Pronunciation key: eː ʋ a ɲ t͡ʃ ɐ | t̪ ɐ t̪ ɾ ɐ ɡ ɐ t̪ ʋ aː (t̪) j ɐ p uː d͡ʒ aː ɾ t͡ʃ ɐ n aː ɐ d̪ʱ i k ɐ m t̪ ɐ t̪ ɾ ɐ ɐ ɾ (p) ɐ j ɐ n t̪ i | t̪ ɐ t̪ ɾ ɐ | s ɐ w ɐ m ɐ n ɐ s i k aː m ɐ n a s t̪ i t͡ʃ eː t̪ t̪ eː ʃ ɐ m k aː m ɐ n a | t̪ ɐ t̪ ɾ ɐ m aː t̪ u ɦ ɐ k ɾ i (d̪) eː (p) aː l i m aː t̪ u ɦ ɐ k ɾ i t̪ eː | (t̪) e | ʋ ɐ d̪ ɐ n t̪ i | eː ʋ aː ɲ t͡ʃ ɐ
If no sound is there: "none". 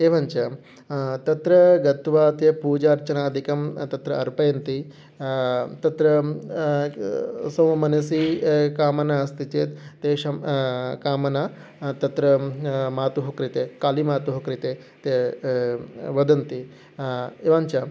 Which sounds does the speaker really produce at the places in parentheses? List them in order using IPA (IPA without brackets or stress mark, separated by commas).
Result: t̪, p, t̪, k, t̪